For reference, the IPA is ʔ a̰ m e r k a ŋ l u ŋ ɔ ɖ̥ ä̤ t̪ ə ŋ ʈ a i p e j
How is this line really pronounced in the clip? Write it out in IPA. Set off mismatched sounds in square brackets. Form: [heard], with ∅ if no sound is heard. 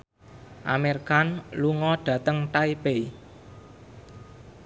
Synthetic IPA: ʔ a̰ m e r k a [n] l u ŋ ɔ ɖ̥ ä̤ t̪ ə ŋ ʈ a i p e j